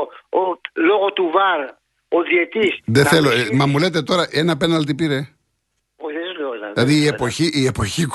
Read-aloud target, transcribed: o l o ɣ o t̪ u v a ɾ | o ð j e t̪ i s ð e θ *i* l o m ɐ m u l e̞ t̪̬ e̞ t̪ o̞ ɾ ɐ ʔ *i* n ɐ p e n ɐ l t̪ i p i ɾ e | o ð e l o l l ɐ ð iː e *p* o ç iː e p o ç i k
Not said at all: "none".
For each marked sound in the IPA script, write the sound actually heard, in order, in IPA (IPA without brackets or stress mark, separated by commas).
e, e, p